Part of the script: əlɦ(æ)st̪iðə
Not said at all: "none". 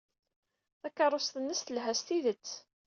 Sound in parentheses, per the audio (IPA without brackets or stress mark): æ